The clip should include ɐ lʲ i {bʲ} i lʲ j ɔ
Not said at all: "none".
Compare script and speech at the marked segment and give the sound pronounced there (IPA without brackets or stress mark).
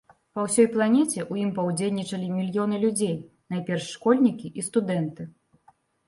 mʲ